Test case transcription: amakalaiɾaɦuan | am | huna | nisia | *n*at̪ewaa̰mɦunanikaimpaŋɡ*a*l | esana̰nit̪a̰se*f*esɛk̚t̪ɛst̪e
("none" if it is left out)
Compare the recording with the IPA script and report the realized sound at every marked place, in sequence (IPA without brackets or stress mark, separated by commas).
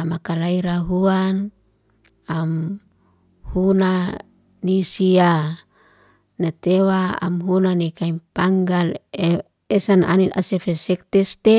n, a, f